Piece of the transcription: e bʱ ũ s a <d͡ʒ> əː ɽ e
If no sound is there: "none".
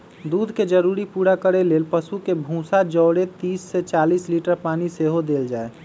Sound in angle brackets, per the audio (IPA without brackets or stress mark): d͡ʒ